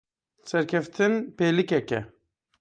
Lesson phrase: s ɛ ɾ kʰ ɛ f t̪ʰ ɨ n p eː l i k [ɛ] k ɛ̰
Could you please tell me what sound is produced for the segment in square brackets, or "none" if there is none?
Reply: ɛ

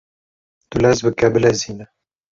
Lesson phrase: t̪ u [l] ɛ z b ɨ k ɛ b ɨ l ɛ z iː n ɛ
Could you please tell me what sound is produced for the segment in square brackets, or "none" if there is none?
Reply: l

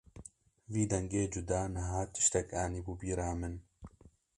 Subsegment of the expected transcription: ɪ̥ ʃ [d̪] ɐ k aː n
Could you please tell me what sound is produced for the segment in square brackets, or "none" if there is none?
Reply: t̪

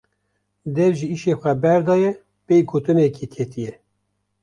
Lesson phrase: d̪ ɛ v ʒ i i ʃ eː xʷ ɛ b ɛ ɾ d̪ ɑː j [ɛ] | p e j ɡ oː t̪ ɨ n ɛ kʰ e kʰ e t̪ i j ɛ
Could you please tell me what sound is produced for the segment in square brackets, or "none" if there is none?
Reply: ɛ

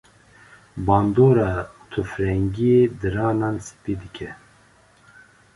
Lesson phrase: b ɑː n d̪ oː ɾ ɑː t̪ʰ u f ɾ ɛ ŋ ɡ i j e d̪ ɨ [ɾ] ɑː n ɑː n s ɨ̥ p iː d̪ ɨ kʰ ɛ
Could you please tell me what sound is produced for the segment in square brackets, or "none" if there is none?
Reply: ɾ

